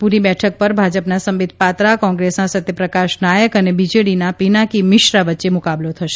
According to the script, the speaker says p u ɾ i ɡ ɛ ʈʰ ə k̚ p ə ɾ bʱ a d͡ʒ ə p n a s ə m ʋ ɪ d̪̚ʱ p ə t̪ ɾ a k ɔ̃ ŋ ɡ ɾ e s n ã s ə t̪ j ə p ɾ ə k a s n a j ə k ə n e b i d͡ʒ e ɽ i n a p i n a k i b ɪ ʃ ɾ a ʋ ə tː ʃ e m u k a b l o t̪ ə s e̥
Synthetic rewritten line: p u ɾ i b ɛ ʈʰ ə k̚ p ə ɾ bʱ a d͡ʒ ə p n a s ə m ʋ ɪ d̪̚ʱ p a t̪ ɾ a k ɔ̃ ŋ ɡ ɾ e s n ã s ə t̪ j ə p ɾ ə k a ʃ n a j ə k ə n e b i d͡ʒ e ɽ i n a p i n a k i m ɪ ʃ ɾ a ʋ ə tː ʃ e m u k a b l o t̪ʰ ə ʃ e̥